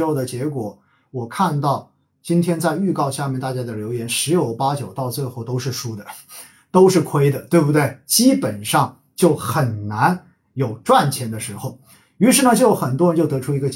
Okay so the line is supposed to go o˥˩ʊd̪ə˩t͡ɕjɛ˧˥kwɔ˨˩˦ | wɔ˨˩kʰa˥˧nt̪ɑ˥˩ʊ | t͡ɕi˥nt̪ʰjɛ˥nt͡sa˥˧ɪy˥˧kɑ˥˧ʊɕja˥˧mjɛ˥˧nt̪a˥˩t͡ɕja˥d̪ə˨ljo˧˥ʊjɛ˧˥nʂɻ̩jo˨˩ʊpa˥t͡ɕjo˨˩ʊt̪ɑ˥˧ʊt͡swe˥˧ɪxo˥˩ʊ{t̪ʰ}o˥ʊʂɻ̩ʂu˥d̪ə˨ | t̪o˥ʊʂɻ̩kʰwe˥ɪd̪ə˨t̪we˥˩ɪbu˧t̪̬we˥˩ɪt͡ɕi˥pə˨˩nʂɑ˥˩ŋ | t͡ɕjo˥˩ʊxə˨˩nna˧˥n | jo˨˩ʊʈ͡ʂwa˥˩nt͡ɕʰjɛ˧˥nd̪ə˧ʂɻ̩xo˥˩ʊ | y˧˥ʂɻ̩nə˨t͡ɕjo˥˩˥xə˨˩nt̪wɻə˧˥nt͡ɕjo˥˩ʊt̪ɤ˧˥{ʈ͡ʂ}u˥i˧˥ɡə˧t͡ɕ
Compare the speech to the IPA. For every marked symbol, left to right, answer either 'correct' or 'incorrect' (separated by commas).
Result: incorrect, incorrect